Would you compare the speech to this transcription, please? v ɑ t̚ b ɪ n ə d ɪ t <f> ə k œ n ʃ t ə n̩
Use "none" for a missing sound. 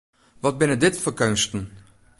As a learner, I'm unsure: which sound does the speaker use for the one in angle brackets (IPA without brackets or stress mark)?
f